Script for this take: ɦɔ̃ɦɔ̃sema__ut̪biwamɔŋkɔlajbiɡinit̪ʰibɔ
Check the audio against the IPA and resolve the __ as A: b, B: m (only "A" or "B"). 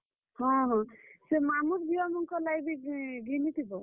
B